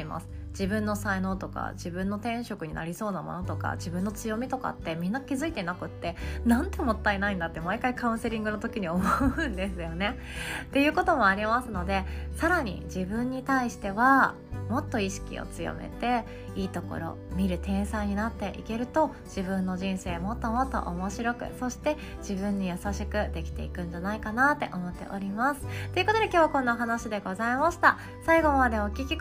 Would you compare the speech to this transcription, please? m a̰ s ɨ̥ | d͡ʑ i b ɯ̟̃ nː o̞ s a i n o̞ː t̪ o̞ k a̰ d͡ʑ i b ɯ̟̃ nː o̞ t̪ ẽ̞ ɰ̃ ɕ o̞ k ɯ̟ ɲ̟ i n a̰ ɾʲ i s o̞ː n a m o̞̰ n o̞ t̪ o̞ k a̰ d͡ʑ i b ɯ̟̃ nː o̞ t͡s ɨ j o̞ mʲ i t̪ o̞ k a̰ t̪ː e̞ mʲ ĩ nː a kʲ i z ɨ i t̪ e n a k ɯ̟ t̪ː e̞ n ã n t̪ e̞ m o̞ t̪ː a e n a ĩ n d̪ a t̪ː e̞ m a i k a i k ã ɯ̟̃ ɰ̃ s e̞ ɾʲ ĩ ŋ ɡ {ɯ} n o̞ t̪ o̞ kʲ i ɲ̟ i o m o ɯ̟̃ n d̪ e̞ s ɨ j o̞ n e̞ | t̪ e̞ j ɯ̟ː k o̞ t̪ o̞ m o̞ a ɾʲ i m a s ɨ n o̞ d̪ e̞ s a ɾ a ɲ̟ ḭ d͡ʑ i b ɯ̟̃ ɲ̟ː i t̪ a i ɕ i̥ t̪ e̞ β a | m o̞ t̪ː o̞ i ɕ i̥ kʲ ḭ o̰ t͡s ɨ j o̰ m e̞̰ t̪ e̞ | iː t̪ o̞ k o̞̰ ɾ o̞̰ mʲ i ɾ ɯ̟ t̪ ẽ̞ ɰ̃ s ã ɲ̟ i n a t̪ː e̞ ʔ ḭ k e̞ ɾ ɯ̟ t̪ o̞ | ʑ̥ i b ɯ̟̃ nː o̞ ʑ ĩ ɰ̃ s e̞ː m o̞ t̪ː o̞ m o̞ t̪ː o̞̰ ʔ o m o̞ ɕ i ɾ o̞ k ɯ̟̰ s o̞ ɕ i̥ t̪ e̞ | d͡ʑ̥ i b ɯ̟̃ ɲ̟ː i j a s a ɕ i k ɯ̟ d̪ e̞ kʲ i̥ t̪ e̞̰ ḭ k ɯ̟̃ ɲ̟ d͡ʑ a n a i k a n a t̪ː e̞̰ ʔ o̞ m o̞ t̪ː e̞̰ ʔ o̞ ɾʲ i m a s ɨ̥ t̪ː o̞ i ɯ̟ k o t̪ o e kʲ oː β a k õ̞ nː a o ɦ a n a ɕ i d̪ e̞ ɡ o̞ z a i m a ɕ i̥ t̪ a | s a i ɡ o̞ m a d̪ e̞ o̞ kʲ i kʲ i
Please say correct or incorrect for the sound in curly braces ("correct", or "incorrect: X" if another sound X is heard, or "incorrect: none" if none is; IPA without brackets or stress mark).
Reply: correct